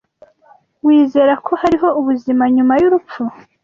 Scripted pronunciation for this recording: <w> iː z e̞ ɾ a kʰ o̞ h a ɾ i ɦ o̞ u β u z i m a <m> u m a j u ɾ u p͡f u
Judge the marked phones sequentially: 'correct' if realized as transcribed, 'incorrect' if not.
correct, incorrect: ɲ

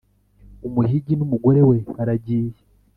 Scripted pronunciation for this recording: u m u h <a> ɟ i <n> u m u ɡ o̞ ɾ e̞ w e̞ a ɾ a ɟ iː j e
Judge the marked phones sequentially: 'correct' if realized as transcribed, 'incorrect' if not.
incorrect: i, correct

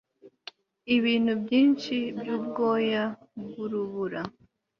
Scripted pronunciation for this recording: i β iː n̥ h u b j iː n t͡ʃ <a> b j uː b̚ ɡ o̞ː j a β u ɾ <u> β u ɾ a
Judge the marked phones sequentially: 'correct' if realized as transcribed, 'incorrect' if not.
incorrect: i, correct

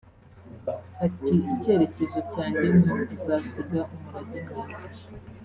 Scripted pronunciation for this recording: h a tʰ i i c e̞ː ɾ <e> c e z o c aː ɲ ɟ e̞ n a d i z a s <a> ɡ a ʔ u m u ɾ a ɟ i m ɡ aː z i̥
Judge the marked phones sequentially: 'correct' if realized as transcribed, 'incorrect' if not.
correct, incorrect: i

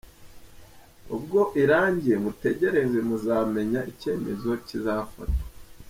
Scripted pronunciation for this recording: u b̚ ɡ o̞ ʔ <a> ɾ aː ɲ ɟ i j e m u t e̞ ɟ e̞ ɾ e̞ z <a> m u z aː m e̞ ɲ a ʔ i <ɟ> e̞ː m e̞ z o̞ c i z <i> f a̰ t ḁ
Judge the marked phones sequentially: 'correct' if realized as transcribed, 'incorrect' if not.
incorrect: i, incorrect: e, incorrect: c, incorrect: a

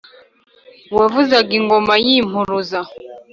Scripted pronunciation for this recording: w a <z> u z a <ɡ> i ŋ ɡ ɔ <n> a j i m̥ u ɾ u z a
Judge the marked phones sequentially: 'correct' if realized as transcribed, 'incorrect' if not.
incorrect: v, correct, incorrect: m

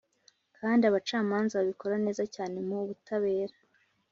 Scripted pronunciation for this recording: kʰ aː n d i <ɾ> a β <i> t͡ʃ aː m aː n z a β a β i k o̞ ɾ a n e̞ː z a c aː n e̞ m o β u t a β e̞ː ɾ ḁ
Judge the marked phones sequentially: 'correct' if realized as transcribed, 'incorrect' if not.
incorrect: none, incorrect: a

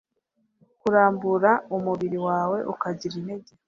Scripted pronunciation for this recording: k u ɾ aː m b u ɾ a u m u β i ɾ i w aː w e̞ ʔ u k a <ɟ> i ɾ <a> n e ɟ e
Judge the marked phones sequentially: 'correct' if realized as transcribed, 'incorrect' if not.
correct, incorrect: i

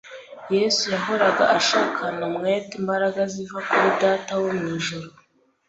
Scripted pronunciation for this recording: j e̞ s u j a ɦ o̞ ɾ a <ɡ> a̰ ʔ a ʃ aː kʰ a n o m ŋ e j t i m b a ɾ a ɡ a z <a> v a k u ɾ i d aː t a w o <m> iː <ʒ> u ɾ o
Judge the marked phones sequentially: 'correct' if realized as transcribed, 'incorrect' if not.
correct, incorrect: i, correct, correct

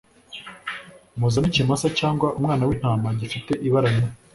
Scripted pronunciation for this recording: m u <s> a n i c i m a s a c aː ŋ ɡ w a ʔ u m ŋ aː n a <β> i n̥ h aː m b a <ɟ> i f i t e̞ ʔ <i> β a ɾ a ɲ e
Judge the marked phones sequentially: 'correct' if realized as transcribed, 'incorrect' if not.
incorrect: z, incorrect: w, correct, correct

